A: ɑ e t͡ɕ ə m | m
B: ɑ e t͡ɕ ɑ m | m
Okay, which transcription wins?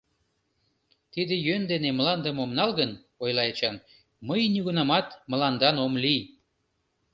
B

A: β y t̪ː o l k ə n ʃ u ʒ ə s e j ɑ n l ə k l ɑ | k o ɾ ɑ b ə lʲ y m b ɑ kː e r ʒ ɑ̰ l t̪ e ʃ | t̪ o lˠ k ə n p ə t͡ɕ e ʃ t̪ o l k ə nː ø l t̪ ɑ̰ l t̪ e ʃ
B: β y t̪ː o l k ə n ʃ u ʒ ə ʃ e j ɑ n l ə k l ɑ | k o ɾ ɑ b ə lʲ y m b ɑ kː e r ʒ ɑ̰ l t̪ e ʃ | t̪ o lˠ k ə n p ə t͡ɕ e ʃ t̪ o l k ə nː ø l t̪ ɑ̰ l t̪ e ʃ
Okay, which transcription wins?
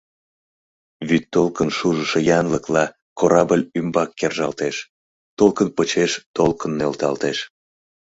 B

